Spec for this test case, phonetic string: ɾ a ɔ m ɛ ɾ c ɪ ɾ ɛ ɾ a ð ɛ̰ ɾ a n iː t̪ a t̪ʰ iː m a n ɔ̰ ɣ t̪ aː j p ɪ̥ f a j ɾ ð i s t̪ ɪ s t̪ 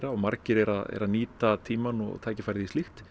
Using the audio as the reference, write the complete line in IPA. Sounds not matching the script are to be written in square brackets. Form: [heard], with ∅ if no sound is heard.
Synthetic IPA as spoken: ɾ a ɔ m [a] ɾ c ɪ ɾ ɛ ɾ a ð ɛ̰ ɾ a n iː t̪ a t̪ʰ iː m a n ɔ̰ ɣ [t̪ʰ] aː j [c] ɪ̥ f a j ɾ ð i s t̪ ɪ [x] t̪